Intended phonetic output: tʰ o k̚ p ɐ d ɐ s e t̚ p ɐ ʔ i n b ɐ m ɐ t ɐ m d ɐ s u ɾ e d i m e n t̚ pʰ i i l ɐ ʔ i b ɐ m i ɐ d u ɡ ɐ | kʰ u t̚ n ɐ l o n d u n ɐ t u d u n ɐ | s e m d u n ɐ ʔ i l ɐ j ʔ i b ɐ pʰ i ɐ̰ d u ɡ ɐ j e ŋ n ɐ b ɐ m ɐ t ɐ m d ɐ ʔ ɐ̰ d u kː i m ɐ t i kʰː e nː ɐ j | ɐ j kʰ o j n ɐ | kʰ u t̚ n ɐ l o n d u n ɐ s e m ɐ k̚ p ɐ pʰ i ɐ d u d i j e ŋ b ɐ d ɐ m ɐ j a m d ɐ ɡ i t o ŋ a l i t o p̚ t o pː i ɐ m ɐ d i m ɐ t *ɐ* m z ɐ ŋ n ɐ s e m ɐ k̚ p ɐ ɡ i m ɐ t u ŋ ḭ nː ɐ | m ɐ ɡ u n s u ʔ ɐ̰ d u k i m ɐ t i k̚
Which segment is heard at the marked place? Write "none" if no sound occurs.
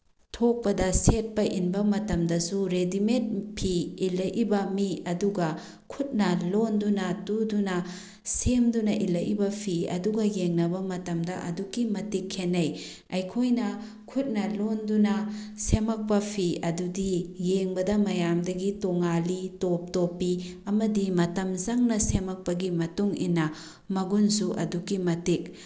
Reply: ɐ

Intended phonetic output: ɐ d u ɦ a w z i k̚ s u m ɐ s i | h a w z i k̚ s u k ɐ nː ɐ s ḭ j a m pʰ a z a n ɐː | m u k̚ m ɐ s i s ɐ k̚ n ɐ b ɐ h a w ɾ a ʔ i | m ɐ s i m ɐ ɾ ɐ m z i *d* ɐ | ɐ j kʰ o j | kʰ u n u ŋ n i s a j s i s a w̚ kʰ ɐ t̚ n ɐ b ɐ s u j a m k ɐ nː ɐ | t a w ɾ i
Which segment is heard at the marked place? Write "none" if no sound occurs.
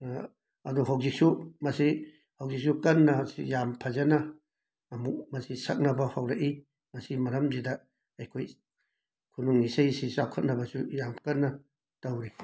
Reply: d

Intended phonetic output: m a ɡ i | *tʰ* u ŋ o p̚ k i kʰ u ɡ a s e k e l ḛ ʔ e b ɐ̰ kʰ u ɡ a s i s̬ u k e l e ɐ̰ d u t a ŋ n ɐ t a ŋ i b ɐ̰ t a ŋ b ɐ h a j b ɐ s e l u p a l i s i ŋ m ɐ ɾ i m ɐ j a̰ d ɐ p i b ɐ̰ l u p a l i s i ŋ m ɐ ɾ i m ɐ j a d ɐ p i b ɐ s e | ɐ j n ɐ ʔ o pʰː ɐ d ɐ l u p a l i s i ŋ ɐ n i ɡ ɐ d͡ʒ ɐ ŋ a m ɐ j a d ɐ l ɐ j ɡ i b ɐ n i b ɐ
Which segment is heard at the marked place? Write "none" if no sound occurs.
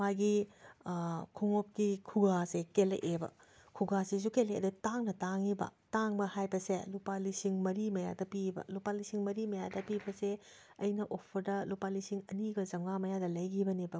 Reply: kʰ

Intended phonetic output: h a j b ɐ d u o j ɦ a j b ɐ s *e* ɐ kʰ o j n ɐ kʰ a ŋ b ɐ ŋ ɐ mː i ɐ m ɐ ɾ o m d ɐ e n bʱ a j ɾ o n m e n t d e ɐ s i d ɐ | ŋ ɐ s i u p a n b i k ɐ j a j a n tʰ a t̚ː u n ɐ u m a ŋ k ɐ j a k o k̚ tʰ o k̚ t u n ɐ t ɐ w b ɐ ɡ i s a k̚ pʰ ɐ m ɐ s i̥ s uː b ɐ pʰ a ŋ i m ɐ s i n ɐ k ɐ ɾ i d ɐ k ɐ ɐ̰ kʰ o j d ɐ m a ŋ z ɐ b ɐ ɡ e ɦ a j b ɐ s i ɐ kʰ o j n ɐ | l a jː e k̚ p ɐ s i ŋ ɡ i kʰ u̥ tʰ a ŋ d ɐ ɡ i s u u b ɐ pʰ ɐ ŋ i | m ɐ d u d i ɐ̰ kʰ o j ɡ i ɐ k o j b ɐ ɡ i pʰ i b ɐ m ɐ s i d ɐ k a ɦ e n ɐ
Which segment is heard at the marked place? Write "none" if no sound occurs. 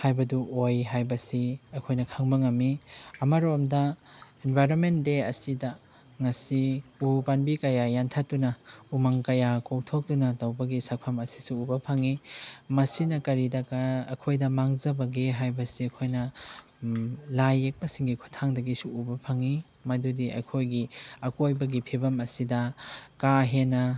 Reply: i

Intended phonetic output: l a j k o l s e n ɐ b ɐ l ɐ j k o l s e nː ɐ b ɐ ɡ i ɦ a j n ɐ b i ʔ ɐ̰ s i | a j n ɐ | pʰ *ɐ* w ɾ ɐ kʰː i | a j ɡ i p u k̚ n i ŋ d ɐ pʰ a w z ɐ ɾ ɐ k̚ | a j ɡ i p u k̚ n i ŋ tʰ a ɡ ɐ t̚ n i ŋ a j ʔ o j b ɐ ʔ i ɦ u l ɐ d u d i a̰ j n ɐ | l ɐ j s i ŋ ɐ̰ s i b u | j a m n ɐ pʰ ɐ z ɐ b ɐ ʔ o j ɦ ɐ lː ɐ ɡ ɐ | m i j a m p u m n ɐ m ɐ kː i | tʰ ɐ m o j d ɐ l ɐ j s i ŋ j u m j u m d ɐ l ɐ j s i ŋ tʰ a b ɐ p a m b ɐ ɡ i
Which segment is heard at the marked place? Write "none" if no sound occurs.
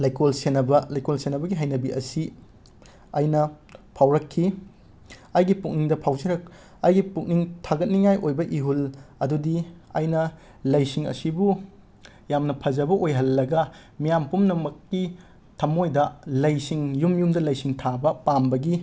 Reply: a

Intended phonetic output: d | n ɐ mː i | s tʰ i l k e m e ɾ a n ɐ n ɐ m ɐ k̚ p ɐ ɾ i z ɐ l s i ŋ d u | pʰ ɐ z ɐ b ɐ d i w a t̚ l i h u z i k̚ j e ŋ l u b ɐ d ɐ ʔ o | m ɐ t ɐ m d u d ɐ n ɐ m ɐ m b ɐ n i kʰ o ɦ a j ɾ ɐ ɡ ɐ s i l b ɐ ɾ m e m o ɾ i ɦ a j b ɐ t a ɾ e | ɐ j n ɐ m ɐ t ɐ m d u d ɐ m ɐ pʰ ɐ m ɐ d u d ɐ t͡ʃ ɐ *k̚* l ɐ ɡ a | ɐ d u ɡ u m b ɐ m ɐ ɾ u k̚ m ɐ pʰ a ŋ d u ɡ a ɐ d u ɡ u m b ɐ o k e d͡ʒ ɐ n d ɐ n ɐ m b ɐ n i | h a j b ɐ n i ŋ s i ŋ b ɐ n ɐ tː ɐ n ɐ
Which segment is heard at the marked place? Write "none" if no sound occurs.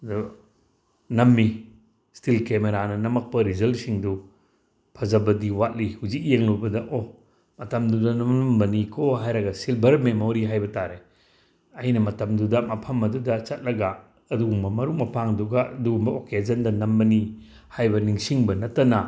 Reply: t̚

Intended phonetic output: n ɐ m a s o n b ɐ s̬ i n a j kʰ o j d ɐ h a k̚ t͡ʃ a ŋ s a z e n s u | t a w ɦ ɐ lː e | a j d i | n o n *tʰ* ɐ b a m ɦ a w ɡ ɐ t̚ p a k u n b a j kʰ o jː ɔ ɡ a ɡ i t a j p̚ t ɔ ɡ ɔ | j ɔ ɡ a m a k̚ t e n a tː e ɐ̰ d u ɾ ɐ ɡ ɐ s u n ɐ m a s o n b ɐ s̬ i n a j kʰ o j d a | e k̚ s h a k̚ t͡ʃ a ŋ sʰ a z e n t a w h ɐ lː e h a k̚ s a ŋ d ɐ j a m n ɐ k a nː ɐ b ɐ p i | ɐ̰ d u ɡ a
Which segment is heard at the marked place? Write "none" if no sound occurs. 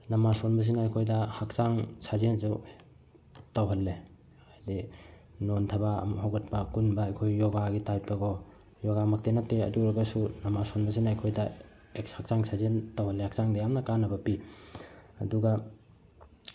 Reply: tʰ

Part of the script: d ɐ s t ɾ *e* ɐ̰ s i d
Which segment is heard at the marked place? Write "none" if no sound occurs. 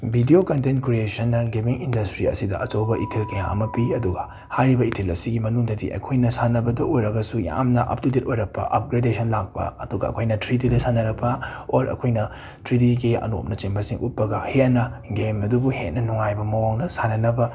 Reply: i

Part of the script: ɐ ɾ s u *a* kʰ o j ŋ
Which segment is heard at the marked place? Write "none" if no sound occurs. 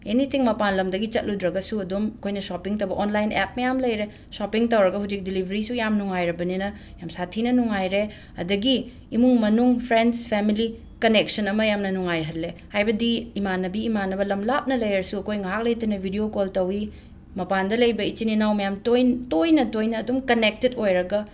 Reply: ɐ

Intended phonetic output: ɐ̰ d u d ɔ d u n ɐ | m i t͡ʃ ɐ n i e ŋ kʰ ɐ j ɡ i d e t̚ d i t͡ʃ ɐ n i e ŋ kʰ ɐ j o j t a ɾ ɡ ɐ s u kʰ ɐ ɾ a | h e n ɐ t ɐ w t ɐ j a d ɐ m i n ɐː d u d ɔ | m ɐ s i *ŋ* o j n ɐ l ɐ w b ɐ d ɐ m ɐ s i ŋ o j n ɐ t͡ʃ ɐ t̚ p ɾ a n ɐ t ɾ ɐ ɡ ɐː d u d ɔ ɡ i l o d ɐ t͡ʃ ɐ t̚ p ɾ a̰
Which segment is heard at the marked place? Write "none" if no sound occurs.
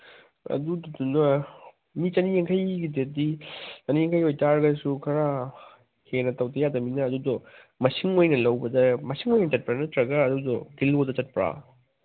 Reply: ŋ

